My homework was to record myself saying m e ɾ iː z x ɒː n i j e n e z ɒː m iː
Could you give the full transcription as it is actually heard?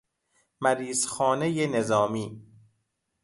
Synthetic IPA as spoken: m æ ɾ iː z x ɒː n e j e n e z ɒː m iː